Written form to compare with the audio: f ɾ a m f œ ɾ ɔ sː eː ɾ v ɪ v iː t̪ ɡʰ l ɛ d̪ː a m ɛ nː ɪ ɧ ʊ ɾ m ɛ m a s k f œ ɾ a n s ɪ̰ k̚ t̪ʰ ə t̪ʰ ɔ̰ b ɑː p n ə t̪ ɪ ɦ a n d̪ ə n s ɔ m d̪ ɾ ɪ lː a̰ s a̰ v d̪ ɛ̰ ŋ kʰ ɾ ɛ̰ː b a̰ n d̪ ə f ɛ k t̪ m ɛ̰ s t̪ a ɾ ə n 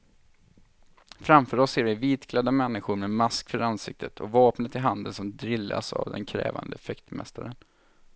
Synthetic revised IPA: f ɾ a m f œ ɾ ɔ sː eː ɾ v ɪ v iː t̪ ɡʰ l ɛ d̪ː a m ɛ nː ɪ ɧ ʊ ɾ m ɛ m a s k f œ ɾ a n s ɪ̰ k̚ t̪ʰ ə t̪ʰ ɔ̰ v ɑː p n ə t̪ ɪ ɦ a n d̪ ə n s ɔ m d̪ ɾ ɪ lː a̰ s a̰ v d̪ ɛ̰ n kʰ ɾ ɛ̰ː v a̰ n d̪ ə f ɛ k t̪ m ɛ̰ s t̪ a ɾ ə n